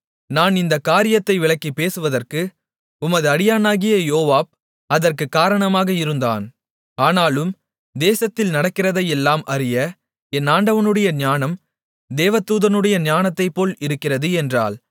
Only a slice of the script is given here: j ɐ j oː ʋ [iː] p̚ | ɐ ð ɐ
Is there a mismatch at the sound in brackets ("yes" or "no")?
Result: yes